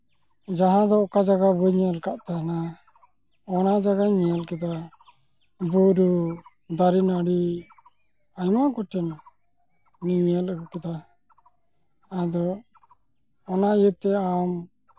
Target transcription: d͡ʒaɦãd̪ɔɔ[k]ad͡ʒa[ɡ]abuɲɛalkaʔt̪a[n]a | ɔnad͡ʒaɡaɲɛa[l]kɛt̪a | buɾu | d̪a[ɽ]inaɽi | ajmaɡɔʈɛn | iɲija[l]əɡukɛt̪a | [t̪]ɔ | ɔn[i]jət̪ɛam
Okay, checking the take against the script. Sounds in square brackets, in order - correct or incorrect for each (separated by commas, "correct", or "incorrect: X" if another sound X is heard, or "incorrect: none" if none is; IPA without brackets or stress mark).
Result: correct, correct, correct, correct, incorrect: ɾ, correct, incorrect: d̪, incorrect: a